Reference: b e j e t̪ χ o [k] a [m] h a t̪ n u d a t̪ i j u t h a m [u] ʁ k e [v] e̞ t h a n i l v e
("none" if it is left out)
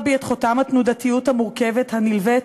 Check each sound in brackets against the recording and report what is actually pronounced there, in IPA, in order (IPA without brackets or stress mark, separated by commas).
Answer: t, m, u, v